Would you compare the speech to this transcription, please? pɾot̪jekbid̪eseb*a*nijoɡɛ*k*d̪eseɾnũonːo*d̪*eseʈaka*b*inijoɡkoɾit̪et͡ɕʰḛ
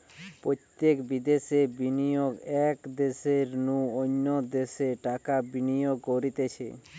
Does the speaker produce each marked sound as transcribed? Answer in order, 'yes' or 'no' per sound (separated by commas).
no, yes, yes, yes